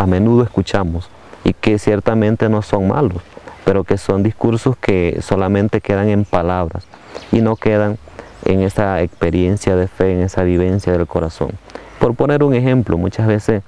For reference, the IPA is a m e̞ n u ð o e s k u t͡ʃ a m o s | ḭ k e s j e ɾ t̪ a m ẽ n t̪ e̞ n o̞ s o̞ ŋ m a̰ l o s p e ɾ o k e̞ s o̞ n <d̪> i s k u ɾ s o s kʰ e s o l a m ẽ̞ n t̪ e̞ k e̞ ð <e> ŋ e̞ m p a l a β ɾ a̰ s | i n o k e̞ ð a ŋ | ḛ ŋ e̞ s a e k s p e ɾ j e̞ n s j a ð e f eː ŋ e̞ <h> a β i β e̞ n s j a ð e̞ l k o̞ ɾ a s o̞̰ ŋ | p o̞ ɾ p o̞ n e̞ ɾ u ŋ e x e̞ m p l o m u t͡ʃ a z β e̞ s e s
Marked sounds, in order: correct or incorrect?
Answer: correct, incorrect: a, incorrect: s

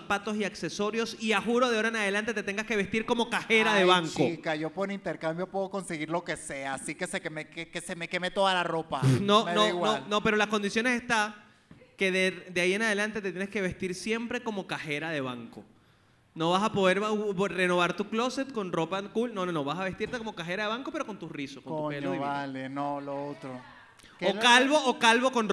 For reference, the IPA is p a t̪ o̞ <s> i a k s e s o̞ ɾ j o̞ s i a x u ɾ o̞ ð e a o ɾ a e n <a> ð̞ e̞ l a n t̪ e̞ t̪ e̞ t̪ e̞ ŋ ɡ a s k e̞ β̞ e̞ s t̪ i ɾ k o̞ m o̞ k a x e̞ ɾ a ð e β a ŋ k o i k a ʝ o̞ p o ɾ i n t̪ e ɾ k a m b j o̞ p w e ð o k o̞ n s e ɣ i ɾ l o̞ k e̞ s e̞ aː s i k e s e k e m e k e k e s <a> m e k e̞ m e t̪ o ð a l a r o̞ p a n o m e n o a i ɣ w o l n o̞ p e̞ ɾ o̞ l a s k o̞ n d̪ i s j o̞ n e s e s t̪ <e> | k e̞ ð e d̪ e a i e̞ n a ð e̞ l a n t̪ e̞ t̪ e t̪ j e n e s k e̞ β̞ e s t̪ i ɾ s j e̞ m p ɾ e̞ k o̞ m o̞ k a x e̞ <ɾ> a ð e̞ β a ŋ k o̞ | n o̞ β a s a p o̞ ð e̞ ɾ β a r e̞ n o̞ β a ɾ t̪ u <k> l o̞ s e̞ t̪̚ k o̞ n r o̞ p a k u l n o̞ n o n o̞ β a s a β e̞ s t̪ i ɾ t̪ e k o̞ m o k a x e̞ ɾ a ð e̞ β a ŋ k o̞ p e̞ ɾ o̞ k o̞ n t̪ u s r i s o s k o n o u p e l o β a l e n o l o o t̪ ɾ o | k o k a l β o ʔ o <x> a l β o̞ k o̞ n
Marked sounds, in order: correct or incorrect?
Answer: correct, correct, incorrect: e, incorrect: a, correct, correct, incorrect: k

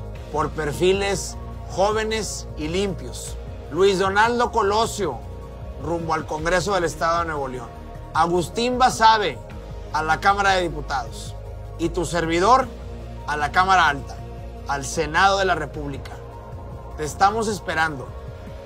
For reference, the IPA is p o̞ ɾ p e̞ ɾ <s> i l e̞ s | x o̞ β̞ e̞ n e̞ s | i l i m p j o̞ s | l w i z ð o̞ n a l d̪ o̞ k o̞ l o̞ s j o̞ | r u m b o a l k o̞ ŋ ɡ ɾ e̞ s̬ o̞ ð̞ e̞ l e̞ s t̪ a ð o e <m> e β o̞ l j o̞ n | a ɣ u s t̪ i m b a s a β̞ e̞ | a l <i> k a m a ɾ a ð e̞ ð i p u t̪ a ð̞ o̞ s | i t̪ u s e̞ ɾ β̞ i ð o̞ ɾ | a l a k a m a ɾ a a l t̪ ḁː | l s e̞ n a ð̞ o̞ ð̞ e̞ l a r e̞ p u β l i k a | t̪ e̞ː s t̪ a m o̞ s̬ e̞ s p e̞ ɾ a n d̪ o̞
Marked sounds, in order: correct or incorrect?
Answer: incorrect: f, incorrect: n, incorrect: a

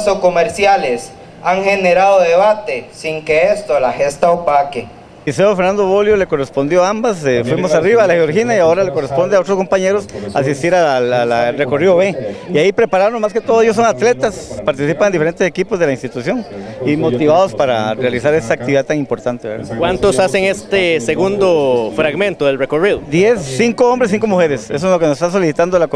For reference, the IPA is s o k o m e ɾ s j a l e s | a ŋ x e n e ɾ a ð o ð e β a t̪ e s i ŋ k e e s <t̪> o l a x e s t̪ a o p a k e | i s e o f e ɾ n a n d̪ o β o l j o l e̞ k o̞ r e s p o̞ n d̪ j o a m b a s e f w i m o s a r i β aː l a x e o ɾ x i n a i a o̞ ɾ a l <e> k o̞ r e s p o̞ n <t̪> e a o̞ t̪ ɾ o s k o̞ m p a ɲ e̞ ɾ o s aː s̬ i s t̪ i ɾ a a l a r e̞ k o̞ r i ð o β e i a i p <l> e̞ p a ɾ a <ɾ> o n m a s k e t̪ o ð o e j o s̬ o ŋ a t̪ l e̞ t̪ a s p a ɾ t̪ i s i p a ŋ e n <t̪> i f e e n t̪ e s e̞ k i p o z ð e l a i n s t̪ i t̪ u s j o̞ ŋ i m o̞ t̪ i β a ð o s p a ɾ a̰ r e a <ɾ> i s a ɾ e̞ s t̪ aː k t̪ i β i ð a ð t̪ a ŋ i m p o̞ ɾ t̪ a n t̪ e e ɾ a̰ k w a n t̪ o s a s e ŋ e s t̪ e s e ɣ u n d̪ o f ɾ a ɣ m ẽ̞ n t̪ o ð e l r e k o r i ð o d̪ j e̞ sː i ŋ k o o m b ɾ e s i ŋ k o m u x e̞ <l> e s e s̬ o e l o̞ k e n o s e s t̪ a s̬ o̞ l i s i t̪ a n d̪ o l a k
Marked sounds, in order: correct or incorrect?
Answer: correct, correct, incorrect: d̪, incorrect: ɾ, correct, incorrect: d̪, incorrect: l, incorrect: ɾ

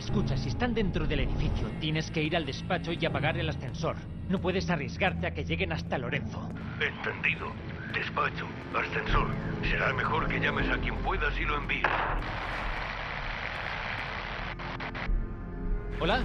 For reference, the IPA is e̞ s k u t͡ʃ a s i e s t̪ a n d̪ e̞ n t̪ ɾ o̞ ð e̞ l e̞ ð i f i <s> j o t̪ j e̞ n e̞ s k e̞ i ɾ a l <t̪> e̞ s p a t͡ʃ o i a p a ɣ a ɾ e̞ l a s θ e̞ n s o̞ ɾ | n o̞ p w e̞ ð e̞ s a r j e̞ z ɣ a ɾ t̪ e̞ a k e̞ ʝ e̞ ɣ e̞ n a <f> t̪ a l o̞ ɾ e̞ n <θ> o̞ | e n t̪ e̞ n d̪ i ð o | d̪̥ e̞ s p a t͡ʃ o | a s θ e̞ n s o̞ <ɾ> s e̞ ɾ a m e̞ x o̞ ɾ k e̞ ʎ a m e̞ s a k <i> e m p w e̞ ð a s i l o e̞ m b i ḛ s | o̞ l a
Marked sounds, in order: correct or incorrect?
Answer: incorrect: θ, incorrect: d̪, incorrect: s, correct, correct, incorrect: j

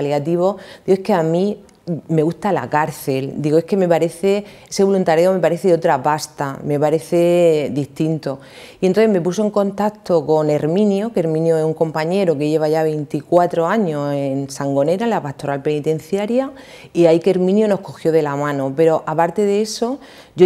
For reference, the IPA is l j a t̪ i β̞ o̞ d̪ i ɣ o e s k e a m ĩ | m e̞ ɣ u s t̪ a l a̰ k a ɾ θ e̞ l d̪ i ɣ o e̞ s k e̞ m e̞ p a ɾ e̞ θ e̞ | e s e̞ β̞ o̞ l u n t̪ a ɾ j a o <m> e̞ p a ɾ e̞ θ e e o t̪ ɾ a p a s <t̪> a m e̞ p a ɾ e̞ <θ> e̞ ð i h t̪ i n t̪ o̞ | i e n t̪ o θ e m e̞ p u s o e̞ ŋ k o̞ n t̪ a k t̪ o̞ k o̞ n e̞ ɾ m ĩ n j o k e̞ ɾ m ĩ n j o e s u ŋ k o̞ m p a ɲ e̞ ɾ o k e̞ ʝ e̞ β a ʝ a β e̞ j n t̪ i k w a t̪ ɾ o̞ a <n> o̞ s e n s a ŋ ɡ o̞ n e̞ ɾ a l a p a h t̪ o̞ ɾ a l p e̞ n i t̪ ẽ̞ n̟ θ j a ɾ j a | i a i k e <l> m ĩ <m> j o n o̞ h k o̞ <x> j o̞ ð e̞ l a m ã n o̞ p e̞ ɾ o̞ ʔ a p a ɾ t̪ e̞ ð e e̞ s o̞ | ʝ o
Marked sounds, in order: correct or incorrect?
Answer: correct, correct, correct, incorrect: ɲ, incorrect: ɾ, incorrect: n, correct

